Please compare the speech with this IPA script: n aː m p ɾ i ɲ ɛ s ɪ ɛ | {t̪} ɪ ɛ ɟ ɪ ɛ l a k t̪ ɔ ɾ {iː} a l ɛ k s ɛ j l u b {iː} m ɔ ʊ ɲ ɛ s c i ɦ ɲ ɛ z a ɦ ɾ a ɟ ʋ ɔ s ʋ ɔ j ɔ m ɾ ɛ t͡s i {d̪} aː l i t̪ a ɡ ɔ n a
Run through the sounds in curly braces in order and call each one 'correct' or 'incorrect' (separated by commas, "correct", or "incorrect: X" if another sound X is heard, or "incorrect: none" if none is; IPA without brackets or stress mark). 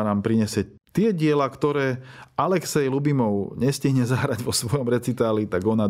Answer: correct, incorrect: ɛː, incorrect: i, incorrect: t̪